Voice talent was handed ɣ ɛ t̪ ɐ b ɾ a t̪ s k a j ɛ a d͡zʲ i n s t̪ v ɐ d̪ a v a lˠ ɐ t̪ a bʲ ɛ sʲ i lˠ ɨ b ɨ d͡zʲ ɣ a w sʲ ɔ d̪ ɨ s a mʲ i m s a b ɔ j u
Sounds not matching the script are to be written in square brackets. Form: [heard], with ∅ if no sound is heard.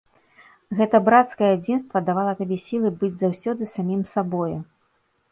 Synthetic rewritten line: ɣ ɛ t̪ ɐ b ɾ a t̪ s k [ɐ] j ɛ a d͡zʲ i n s t̪ v ɐ d̪ a v a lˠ ɐ t̪ a bʲ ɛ sʲ i lˠ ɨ b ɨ d͡zʲ [z] a w sʲ ɔ d̪ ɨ s a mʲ i m s a b ɔ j u